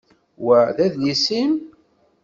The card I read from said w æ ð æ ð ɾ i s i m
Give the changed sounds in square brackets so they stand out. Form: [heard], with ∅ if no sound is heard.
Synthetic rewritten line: w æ ð æ ð [l] i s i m